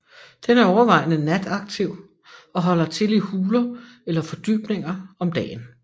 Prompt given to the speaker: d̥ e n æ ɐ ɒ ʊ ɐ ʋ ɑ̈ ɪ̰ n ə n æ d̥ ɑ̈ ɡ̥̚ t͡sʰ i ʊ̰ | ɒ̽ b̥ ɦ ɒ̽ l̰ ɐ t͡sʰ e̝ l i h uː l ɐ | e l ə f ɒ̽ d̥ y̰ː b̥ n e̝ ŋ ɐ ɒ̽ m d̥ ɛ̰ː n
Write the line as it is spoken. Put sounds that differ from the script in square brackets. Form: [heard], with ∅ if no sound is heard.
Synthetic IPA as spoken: d̥ e n æ ɐ ɒ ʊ ɐ ʋ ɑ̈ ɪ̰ n ə n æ d̥ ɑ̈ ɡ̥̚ t͡sʰ i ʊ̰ | ɒ̽ [∅] ɦ ɒ̽ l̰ ɐ t͡sʰ e̝ l i h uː l ɐ | e l [ɐ] f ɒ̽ d̥ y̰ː b̥ n e̝ ŋ ɐ ɒ̽ m d̥ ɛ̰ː n